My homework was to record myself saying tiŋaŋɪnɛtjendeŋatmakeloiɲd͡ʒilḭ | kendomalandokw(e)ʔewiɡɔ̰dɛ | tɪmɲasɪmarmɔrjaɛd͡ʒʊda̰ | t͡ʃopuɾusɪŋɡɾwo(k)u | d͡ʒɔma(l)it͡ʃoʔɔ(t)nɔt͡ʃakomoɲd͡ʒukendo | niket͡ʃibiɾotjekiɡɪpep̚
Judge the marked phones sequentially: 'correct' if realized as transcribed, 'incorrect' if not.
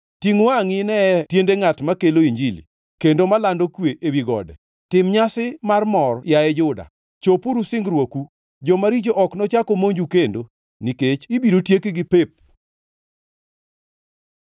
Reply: correct, correct, incorrect, incorrect

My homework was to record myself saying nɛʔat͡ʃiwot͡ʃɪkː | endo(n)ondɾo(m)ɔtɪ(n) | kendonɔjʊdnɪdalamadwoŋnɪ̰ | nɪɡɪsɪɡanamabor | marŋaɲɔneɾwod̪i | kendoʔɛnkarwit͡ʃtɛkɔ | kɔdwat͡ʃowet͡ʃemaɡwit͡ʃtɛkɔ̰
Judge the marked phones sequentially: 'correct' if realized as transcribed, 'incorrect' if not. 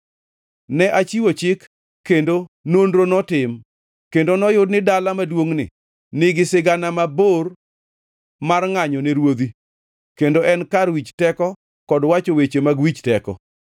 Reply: correct, incorrect, incorrect

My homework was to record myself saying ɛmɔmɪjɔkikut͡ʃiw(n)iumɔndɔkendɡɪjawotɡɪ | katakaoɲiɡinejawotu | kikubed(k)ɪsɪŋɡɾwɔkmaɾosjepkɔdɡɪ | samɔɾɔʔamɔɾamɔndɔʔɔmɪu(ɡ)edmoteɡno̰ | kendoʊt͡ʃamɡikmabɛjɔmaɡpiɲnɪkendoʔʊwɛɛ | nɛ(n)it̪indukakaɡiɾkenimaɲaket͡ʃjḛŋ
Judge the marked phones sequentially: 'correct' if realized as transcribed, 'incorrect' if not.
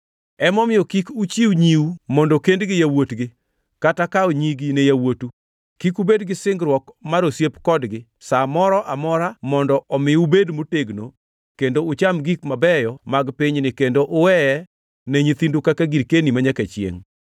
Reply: incorrect, incorrect, incorrect, incorrect

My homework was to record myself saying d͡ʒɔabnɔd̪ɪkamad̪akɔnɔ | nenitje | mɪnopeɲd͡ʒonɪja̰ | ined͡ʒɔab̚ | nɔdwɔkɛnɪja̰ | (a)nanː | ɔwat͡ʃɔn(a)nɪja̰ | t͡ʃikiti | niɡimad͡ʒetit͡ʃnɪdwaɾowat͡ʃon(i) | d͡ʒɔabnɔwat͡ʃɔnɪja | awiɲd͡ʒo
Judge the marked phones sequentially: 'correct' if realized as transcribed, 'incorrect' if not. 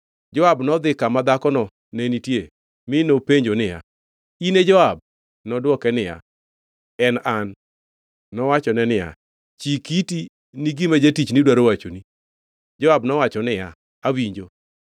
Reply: incorrect, incorrect, correct

